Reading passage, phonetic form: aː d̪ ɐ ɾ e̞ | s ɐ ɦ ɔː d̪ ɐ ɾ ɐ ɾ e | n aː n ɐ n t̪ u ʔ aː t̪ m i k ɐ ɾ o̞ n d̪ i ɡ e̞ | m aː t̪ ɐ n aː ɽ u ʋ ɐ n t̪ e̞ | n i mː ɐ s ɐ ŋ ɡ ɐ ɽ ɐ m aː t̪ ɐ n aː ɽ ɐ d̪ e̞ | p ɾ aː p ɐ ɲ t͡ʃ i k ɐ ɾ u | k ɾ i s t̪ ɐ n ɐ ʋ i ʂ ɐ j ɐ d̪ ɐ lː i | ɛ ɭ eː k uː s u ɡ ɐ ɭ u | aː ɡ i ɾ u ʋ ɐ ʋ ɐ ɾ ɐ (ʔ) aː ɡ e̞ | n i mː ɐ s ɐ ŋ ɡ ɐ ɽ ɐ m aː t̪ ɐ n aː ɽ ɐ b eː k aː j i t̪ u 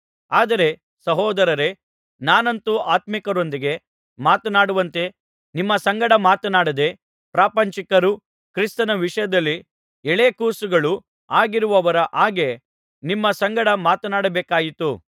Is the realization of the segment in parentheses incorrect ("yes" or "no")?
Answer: no